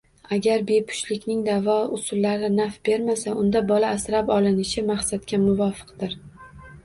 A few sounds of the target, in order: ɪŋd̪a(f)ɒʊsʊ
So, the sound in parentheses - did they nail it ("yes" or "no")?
no